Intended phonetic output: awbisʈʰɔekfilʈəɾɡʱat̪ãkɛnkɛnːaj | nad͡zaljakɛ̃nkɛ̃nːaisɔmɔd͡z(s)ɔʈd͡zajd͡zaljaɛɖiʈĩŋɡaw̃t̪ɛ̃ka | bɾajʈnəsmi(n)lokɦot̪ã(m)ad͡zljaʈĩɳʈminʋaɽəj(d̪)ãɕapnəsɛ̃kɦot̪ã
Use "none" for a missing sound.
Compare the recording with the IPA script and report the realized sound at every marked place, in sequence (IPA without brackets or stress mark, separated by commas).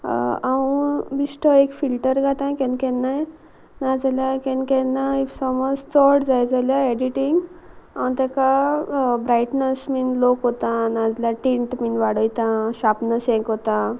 t͡s, n, n, t̪